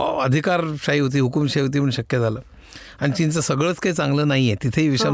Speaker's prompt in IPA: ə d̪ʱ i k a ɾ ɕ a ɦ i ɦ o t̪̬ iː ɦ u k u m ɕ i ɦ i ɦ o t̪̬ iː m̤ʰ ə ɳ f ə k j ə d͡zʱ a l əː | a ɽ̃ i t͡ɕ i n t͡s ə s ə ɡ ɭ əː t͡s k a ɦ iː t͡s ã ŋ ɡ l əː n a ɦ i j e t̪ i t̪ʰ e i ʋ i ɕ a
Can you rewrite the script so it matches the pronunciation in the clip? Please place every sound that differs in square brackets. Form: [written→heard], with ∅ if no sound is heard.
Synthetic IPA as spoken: ə d̪ʱ i k a ɾ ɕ a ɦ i ɦ o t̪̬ iː ɦ u k u m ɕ [i→a] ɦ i ɦ o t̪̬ iː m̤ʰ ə ɳ [f→ɕ] ə k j ə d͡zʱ a l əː | a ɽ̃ i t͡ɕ i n t͡s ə s ə ɡ ɭ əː t͡s k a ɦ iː t͡s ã ŋ ɡ l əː n a ɦ i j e t̪ i t̪ʰ e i ʋ i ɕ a